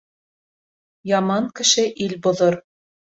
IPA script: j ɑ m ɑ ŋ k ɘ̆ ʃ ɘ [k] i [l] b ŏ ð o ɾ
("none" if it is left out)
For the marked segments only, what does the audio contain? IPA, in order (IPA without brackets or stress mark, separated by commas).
ʔ, l